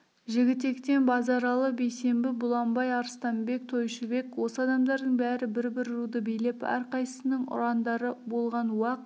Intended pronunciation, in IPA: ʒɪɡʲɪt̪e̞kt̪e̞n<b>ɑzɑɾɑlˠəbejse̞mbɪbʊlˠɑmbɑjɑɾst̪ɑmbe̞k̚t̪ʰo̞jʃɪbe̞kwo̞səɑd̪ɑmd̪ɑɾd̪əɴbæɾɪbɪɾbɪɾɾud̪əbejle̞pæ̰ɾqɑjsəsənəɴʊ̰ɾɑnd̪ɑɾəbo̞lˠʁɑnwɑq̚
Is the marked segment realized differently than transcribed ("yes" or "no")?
no